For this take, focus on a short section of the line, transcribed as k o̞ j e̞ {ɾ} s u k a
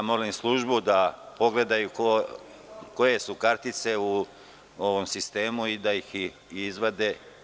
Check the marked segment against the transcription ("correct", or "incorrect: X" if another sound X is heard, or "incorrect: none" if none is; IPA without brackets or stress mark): incorrect: none